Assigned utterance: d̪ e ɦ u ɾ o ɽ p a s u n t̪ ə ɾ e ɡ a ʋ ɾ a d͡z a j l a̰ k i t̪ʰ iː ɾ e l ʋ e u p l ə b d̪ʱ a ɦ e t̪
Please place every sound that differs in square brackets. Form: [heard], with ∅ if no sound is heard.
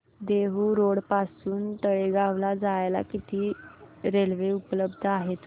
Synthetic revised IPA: d̪ e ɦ u ɾ o ɽ p a s [uː] n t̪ ə [ɭ] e ɡ a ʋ [l] a d͡z a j l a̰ k i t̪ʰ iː ɾ e l ʋ e u p l ə b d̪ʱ a ɦ e t̪